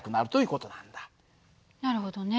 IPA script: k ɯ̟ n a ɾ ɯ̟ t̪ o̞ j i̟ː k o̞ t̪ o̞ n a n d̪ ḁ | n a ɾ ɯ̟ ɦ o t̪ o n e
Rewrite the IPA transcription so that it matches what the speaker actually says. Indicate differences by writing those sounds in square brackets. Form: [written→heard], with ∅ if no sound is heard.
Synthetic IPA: k ɯ̟ n a ɾ ɯ̟ t̪ o̞ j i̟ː k o̞ t̪ o̞ n a n d̪ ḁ | n a ɾ ɯ̟ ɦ o [t̪→d̪] o n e